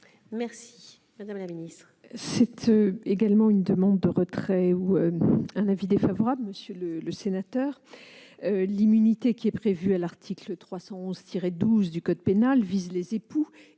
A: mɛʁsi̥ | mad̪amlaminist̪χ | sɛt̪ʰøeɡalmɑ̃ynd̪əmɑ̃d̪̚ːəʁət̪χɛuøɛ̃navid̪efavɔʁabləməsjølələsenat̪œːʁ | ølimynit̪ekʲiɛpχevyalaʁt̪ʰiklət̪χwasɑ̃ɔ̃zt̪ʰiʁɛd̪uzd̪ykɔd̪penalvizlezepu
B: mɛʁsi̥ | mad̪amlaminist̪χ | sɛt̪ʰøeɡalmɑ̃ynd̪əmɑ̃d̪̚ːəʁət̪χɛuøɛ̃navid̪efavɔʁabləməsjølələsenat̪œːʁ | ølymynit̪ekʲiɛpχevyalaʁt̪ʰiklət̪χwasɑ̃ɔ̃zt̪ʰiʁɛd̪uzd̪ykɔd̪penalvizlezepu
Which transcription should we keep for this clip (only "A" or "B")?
A